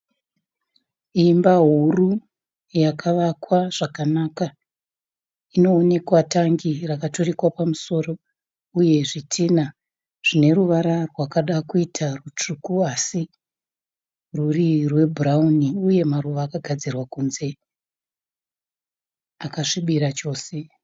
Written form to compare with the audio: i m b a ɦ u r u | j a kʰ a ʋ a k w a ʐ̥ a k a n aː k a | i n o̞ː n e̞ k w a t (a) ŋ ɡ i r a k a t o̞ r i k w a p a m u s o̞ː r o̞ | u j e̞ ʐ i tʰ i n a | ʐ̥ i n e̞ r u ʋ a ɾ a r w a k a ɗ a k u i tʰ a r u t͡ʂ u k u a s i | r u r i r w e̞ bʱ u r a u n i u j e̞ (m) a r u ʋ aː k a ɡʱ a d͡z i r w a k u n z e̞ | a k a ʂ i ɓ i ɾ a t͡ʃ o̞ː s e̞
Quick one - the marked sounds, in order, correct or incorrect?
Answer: correct, correct

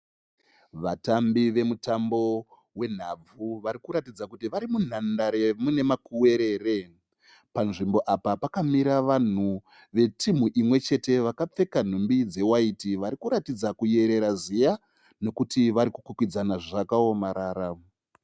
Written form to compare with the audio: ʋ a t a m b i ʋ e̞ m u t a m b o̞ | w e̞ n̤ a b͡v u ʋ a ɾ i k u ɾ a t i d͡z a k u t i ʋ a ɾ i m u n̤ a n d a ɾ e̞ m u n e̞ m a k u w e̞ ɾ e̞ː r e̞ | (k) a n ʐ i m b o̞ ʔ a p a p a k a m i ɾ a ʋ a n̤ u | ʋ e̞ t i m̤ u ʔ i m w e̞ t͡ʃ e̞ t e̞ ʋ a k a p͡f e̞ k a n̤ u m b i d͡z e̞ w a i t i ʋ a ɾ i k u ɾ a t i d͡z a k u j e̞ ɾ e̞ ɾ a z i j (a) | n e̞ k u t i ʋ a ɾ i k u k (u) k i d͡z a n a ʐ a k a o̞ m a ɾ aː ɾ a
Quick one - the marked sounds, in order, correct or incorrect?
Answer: incorrect: p, correct, correct

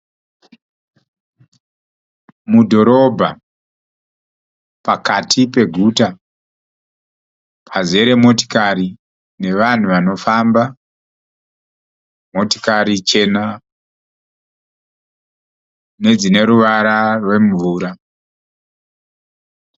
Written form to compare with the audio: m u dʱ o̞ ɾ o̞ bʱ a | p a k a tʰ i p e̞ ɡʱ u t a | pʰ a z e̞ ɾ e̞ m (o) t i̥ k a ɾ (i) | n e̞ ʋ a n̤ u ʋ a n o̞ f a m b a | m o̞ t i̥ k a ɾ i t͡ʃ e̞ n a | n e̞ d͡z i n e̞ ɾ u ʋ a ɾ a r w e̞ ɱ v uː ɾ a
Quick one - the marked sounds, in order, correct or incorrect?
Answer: correct, correct

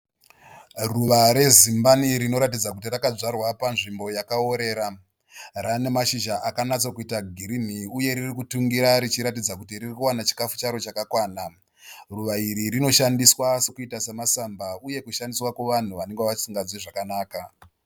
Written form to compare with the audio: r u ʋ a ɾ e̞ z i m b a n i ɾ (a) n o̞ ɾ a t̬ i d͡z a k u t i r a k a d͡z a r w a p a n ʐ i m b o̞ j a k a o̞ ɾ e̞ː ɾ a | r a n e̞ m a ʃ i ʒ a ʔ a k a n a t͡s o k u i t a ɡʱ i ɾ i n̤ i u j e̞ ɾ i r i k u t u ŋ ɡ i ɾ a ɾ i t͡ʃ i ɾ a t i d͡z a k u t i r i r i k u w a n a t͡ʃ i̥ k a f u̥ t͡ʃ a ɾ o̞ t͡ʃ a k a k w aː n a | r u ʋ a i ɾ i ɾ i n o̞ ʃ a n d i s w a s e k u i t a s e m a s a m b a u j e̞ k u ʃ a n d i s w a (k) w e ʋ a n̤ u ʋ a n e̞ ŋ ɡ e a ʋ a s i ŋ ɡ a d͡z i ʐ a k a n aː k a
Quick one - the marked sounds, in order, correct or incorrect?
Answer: incorrect: i, correct

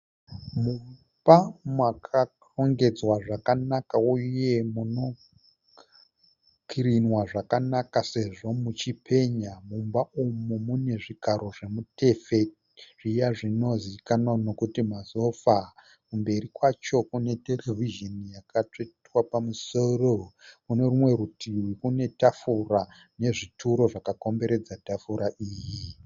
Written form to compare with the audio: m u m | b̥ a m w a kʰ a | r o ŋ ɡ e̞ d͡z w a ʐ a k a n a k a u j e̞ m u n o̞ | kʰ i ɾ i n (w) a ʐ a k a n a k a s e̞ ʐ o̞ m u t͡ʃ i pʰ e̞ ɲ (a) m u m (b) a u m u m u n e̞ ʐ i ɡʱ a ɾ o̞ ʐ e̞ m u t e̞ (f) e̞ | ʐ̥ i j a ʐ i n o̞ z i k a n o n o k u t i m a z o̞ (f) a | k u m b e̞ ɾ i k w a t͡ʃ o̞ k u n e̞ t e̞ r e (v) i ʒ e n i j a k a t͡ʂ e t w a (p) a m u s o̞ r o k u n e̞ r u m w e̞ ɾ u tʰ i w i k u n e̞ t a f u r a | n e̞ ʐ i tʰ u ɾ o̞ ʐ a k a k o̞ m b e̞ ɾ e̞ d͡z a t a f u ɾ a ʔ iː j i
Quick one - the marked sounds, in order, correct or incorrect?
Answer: correct, correct, correct, correct, correct, correct, correct

